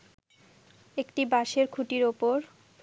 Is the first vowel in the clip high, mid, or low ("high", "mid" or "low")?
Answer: mid